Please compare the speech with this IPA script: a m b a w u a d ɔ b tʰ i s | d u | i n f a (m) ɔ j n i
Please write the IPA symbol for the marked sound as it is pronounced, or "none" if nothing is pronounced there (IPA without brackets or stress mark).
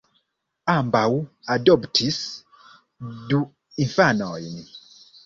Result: n